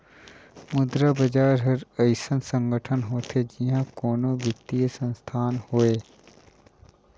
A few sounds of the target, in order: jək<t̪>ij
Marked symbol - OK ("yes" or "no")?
yes